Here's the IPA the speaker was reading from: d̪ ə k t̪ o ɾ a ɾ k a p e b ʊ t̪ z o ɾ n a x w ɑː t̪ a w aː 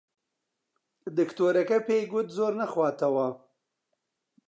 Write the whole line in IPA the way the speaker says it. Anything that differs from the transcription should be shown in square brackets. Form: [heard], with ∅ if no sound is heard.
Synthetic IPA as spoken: d̪ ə k t̪ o ɾ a [∅] k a p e [ɡ] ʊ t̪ z o ɾ n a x w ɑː t̪ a w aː